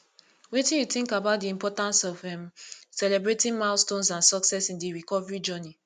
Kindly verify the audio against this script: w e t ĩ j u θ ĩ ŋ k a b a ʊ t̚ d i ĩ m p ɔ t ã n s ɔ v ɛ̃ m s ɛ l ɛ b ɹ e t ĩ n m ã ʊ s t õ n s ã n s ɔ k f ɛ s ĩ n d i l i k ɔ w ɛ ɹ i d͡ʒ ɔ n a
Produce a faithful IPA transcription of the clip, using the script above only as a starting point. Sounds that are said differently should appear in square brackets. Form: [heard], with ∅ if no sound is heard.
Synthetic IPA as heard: w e t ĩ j u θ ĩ ŋ k a b a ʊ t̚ d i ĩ m p ɔ t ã n s ɔ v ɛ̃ m s ɛ l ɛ b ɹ e t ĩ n m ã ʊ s t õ n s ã n s ɔ k [s] ɛ s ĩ n d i [ɹ] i k ɔ [v] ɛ ɹ i d͡ʒ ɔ n [i]